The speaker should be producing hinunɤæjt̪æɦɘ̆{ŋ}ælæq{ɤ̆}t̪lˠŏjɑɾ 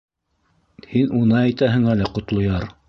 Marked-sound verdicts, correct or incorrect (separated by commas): correct, incorrect